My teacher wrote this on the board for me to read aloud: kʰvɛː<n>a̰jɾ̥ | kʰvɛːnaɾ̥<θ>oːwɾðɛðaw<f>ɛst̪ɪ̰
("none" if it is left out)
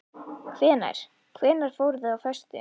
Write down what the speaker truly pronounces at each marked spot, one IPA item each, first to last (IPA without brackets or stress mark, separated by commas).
n, f, f